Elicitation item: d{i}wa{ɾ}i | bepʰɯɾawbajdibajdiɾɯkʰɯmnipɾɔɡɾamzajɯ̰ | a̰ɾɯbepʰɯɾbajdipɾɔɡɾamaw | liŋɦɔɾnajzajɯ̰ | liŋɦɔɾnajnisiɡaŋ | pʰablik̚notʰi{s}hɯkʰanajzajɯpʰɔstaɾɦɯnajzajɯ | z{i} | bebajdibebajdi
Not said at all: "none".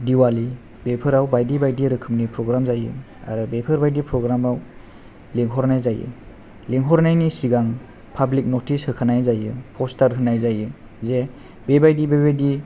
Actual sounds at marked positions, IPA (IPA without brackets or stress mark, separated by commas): i, l, s, e